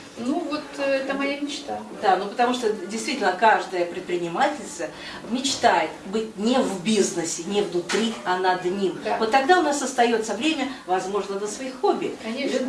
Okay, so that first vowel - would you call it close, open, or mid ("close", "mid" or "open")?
close